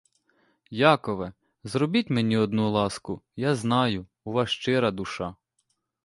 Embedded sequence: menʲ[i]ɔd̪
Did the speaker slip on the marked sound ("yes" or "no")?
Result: no